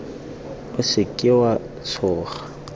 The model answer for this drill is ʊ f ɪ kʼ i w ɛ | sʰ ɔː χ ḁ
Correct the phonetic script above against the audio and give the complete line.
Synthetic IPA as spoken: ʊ s ɪ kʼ ɪ w a | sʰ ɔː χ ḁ